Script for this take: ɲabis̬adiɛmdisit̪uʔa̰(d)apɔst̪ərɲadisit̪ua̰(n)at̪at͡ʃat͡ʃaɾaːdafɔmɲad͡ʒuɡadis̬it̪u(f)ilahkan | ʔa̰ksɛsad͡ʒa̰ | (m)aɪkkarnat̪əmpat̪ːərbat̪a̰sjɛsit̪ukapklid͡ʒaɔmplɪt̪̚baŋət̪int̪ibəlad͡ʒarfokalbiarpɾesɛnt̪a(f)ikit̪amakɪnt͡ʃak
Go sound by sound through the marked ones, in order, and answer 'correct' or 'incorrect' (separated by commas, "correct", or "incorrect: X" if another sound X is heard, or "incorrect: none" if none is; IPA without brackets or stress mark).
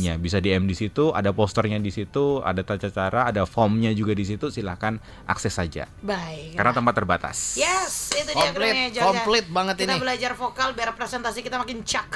correct, incorrect: d, incorrect: s, incorrect: b, incorrect: s